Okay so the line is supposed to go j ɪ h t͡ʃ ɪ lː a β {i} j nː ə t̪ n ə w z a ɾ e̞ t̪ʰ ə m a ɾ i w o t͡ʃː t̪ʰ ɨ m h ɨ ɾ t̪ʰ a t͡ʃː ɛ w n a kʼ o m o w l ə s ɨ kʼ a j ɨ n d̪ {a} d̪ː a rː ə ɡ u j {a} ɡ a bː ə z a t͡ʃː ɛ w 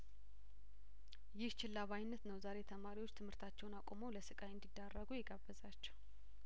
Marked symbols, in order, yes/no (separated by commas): no, no, no